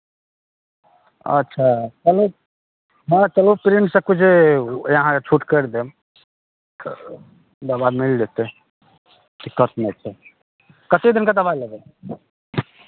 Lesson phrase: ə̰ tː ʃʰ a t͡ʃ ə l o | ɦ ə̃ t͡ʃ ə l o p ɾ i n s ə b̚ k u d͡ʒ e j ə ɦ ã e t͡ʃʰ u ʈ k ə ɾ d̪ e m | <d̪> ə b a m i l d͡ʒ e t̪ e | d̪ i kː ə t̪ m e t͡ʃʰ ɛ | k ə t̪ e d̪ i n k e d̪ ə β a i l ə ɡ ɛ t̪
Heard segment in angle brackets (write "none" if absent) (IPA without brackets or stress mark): d̪